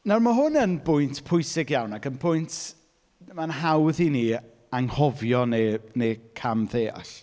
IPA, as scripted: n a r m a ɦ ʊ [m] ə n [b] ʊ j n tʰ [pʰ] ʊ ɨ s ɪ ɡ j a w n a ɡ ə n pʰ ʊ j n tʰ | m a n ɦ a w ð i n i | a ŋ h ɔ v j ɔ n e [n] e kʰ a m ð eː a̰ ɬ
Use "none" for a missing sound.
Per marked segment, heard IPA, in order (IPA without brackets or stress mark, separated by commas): n, b, pʰ, n